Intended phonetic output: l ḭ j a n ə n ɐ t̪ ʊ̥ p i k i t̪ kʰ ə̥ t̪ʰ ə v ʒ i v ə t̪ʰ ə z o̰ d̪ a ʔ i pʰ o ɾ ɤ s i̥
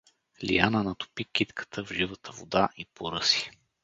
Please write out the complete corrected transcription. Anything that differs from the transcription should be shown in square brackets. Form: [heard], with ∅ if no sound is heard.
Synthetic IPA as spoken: l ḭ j a n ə n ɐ t̪ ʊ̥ p i k i t̪ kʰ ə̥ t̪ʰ ə v ʒ i v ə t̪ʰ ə [v] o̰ d̪ a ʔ i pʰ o ɾ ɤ s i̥

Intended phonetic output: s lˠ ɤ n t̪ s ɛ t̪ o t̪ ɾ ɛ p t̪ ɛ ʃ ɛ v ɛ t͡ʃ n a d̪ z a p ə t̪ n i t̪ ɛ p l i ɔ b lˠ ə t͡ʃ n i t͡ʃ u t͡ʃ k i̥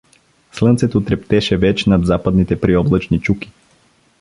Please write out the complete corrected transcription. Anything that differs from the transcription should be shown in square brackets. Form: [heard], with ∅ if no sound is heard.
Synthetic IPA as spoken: s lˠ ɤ n t̪ s ɛ t̪ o t̪ ɾ ɛ p t̪ ɛ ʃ ɛ v ɛ t͡ʃ n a d̪ z a p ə [d̪] n i t̪ ɛ p [ɾ] i ɔ b lˠ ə t͡ʃ n i t͡ʃ u [∅] k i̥

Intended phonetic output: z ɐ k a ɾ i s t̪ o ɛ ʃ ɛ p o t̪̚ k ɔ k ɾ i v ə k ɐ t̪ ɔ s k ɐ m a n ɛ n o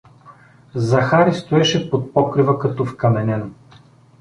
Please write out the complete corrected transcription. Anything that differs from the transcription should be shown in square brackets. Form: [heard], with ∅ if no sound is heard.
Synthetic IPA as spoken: z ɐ [x] a ɾ i s t̪ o ɛ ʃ ɛ p o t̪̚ [p] ɔ k ɾ i v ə k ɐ t̪ ɔ [f] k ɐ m [ɛ] n ɛ n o

